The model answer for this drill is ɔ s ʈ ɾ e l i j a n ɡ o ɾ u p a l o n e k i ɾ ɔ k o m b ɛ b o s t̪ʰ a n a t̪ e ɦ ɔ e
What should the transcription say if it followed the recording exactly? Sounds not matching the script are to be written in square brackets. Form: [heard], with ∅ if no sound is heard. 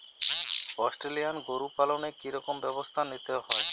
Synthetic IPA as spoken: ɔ s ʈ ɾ e l i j a n ɡ o ɾ u p a l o n e k i ɾ ɔ k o m b ɛ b o s t̪ʰ a n [i] t̪ e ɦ ɔ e